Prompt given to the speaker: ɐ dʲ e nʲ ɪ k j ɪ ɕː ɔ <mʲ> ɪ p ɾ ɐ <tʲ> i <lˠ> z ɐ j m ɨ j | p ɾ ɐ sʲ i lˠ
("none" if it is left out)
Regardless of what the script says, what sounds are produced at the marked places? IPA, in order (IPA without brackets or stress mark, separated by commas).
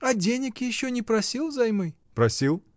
nʲ, sʲ, lˠ